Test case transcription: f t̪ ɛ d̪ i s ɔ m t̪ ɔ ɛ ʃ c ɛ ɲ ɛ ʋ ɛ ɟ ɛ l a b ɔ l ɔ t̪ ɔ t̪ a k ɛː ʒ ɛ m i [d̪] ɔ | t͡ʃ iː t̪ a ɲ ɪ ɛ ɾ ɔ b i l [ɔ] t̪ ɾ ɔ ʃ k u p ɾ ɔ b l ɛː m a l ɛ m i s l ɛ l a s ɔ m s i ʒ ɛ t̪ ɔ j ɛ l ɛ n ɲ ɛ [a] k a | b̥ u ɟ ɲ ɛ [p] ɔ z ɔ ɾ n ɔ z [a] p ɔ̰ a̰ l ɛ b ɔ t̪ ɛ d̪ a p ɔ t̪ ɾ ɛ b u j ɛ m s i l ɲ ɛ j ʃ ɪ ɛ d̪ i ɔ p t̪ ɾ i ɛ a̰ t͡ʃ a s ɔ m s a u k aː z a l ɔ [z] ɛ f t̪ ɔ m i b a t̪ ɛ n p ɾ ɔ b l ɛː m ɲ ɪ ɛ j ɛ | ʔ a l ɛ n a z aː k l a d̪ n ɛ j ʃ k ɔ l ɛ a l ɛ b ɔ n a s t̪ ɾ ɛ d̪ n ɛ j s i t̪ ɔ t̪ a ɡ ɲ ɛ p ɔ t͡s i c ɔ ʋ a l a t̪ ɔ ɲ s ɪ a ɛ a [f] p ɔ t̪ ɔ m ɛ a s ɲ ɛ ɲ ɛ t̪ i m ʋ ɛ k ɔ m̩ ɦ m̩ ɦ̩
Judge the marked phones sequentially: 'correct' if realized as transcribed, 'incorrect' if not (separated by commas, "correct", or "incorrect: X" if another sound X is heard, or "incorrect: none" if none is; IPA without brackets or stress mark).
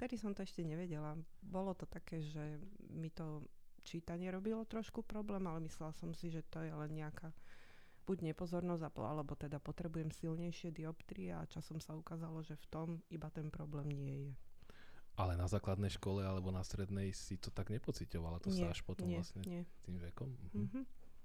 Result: incorrect: t̪, correct, correct, correct, correct, incorrect: ʒ, incorrect: ʃ